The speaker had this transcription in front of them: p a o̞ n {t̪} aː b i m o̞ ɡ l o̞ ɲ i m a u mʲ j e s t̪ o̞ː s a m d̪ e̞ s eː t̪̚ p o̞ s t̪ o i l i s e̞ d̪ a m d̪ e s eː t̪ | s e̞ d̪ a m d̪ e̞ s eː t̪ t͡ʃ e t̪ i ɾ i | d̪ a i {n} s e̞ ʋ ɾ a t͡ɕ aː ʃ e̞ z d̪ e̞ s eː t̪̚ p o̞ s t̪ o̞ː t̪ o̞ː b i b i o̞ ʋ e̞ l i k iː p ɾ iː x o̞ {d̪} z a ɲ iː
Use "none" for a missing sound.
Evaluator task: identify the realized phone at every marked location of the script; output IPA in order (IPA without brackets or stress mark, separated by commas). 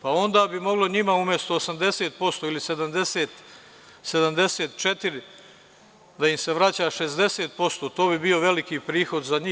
d̪, m, d̪